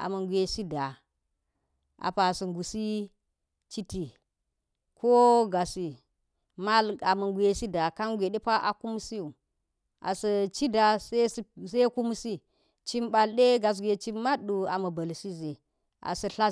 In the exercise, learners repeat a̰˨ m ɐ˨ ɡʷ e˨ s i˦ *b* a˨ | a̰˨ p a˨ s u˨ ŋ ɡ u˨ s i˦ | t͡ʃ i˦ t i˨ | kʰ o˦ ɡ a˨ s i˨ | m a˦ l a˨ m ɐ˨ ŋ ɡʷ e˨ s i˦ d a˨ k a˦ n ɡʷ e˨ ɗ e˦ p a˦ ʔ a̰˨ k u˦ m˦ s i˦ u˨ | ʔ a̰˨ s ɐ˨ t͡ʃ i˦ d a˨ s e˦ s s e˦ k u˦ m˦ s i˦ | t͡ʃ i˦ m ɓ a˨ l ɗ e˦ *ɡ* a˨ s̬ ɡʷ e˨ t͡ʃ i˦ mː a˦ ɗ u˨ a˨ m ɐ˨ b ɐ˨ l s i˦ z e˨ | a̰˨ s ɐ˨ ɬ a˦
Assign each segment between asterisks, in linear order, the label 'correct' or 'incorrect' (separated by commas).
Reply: incorrect, correct